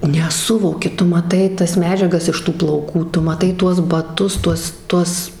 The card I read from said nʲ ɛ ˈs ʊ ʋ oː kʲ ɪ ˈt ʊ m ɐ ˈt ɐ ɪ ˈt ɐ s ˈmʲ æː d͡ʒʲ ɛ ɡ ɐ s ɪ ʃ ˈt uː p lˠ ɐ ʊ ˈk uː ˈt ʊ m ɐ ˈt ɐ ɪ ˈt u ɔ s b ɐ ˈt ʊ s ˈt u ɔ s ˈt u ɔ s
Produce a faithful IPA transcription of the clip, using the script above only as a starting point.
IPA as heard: nʲ ɛ ˈs ʊ ʋ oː kʲ ɪ ˈt ʊ m ɐ ˈt ɐ ɪ ˈt ɐ s ˈmʲ æː d͡ʒʲ ɛ ɡ ɐ s ɪ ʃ ˈt uː p lˠ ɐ ʊ ˈk uː ˈt ʊ m ɐ ˈt ɐ ɪ ˈt u ɔ s b ɐ ˈt ʊ s ˈt u ɔ s ˈt u ɔ s